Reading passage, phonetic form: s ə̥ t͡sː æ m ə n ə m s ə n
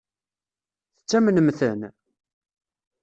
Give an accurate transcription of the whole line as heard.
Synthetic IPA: θ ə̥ t͡sː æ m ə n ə m θ ə n